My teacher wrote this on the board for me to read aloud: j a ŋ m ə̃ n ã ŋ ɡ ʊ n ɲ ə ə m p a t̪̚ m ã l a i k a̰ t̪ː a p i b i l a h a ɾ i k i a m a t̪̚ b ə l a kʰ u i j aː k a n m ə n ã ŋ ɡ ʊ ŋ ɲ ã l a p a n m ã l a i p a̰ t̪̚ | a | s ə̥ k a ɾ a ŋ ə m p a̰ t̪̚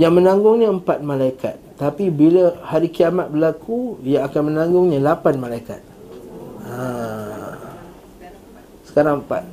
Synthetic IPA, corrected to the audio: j a ŋ m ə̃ n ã ŋ ɡ ʊ ŋ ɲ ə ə m p a t̪̚ m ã l a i k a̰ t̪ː a p i b i l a h a ɾ i k i a m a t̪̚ b ə l a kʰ u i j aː k a n m ə n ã ŋ ɡ ʊ ŋ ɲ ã l a p a n m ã l a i k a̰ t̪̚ | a | s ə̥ k a ɾ a ŋ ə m p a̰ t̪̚